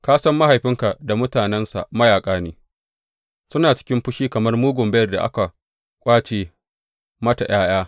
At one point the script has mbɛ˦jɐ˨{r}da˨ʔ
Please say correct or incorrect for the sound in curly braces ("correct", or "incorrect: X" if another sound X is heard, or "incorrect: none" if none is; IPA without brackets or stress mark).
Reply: correct